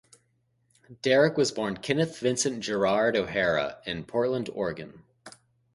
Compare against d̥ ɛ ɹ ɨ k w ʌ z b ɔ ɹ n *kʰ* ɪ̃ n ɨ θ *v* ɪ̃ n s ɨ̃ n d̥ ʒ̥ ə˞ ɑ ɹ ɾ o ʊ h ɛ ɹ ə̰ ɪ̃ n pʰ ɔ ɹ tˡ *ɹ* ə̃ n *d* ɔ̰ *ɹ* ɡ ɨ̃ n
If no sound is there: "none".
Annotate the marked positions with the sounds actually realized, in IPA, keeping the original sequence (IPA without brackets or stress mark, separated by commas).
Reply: kʰ, v, l, d, ɹ